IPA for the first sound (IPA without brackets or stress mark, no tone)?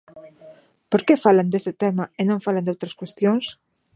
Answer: p